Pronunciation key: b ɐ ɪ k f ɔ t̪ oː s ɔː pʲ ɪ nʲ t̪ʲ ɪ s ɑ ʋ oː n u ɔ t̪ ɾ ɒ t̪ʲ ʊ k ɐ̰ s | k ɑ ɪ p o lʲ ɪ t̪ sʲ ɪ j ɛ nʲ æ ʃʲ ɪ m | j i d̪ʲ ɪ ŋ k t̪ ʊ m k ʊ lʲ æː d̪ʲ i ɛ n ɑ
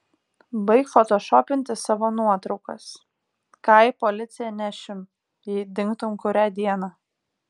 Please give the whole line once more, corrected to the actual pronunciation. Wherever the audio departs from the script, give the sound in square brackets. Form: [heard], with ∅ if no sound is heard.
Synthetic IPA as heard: b ɐ ɪ k f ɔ t̪ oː [ʃ] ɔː pʲ ɪ nʲ t̪ʲ ɪ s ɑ ʋ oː n u ɔ t̪ ɾ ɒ [∅] ʊ k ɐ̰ s | k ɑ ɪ p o lʲ ɪ t̪ sʲ ɪ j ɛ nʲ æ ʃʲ ɪ m | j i d̪ʲ ɪ ŋ k t̪ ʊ m k ʊ [ɾʲ] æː d̪ʲ i ɛ n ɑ